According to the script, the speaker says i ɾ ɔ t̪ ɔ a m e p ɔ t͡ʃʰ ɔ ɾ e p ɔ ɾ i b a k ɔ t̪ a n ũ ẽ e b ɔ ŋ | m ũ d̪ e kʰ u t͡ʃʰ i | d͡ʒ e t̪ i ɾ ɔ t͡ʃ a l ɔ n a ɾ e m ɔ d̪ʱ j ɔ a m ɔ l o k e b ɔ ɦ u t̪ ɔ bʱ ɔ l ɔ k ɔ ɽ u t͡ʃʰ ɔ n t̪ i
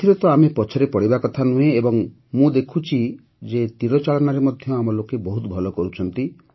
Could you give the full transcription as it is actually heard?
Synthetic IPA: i ɾ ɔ t̪ ɔ a m e p ɔ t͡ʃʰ ɔ ɾ e p ɔ ɽ i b a k ɔ t̪ʰ a n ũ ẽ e b ɔ ŋ | m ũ d̪ e kʰ u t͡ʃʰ i | d͡ʒ e t̪ i ɾ ɔ t͡ʃ a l ɔ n a ɾ e m ɔ d̪ʱ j ɔ a m ɔ l o k e b ɔ ɦ u t̪ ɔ bʱ ɔ l ɔ k ɔ ɾ u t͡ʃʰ ɔ n t̪ i